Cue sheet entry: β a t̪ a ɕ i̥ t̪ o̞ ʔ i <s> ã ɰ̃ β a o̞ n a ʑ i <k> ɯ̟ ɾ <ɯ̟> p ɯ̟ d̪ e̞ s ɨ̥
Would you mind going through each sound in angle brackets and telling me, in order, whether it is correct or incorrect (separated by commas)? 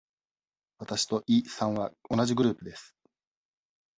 correct, incorrect, incorrect